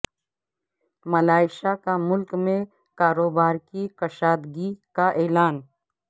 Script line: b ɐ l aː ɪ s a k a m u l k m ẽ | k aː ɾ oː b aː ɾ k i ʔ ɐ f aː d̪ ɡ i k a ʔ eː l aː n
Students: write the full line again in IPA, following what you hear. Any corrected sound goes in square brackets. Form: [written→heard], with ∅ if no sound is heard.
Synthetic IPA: [b→m] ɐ l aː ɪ [s→ʃ] a k a m [u→ʊ] l k m ẽ | k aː ɾ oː b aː ɾ k i [ʔ→k] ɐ [f→ʃ] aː d̪ ɡ i k a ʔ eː l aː n